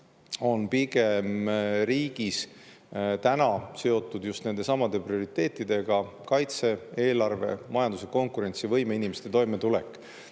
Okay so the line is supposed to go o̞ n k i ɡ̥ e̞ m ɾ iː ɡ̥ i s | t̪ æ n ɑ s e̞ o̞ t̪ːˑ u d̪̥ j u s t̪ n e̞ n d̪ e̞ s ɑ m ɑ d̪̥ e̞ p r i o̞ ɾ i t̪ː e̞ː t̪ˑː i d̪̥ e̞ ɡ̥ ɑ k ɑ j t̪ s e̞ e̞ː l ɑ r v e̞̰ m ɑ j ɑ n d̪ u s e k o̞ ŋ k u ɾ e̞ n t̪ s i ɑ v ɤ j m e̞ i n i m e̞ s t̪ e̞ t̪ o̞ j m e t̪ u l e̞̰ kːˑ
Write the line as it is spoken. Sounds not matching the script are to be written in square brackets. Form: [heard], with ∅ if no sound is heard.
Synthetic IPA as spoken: o̞ n [p] i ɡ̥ e̞ m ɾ iː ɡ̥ i s | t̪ æ n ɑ s e̞ o̞ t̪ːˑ u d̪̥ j u s t̪ n e̞ n d̪ e̞ s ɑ m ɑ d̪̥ e̞ p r i o̞ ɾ i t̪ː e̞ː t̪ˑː i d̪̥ e̞ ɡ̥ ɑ k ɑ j t̪ s e̞ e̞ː l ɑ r v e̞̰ m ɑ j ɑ n d̪ u s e k o̞ ŋ k u ɾ e̞ n t̪ s i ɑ v ɤ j m e̞ i n i m e̞ s t̪ e̞ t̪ o̞ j m e t̪ u l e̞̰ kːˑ